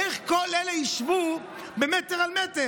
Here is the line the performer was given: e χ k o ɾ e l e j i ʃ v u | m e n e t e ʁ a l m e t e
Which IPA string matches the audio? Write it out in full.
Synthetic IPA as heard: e χ k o l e l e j i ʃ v u | b e m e t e ʁ a l m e t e